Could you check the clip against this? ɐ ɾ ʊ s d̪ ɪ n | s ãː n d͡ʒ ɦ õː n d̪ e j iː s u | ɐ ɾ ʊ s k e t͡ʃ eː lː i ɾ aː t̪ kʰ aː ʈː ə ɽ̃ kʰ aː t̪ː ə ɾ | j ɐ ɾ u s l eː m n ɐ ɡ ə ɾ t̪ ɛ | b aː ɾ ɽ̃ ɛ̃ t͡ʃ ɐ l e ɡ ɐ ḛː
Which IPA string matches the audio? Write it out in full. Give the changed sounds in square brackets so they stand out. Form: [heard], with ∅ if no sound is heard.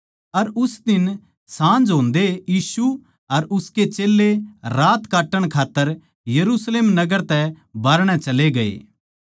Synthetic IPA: ɐ ɾ ʊ s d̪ ɪ n | s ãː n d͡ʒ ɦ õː n d̪ e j iː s u | ɐ ɾ ʊ s k e t͡ʃ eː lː [e] ɾ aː t̪ [k] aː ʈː ə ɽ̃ kʰ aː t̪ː ə ɾ | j ɐ ɾ u s l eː m n ɐ ɡ ə ɾ t̪ ɛ | b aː ɾ ɽ̃ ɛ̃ t͡ʃ ɐ l e ɡ ɐ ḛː